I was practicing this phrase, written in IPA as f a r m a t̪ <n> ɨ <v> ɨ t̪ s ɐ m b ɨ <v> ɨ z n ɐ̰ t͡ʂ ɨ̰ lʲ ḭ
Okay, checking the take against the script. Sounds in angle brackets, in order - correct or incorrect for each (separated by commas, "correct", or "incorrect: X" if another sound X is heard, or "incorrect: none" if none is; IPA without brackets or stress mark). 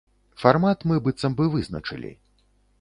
incorrect: m, incorrect: b, correct